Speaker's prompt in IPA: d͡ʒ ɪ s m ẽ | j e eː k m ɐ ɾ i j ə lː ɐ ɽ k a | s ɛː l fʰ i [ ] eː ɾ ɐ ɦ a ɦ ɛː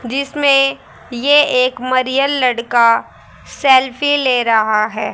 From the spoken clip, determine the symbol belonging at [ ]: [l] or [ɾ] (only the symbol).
l